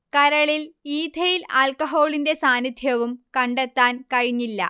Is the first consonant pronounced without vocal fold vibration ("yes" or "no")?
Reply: yes